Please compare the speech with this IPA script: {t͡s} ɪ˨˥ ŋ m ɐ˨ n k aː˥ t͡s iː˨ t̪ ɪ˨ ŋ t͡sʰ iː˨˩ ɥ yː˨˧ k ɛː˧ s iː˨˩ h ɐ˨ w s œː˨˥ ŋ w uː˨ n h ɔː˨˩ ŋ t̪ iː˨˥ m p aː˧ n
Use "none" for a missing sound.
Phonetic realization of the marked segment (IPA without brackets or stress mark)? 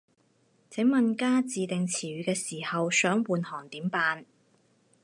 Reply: t͡sʰ